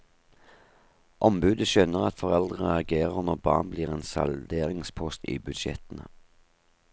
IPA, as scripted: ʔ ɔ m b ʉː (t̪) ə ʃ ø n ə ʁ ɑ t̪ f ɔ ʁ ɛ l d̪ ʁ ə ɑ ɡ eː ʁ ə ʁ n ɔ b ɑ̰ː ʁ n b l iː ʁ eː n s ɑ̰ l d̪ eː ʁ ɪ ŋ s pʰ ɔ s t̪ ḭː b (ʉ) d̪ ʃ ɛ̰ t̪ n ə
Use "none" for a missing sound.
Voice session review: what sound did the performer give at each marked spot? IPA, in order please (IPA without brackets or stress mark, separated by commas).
d̪, ʉ